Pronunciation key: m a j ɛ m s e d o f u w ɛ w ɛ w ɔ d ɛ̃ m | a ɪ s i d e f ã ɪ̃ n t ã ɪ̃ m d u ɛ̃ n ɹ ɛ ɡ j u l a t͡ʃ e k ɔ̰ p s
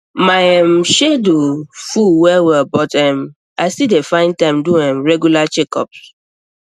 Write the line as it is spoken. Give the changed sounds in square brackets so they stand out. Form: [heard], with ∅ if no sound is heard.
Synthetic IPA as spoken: m a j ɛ m [ʃ] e d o f u w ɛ w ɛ [b] ɔ [t] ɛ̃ m | a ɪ s i d e f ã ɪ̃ n t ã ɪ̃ m d u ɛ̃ [m] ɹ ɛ ɡ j u l a t͡ʃ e k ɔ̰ p s